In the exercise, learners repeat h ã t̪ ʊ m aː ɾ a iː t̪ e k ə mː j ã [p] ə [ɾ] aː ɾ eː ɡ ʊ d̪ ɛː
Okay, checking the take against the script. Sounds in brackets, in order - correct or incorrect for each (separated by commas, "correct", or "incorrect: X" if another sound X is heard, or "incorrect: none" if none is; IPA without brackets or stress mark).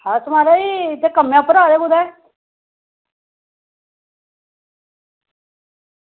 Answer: correct, correct